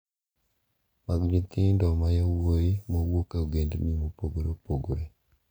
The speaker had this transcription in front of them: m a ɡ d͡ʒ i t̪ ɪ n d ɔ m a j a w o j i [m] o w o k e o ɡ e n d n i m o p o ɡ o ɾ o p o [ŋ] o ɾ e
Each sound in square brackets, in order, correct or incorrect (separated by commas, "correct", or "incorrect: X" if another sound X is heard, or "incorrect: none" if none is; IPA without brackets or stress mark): correct, incorrect: ɡ